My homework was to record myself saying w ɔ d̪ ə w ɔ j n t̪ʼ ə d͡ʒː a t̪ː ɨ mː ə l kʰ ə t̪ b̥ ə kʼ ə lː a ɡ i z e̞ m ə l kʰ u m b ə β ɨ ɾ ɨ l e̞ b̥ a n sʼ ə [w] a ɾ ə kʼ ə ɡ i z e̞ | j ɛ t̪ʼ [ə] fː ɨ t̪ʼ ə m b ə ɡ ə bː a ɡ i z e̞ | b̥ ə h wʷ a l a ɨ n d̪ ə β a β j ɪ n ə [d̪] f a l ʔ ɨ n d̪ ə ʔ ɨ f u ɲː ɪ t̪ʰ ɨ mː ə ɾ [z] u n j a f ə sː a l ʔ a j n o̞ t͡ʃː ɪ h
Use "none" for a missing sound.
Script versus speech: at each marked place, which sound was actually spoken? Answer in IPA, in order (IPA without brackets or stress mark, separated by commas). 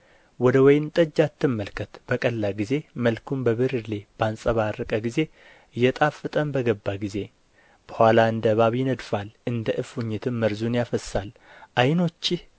β, a, d̪, z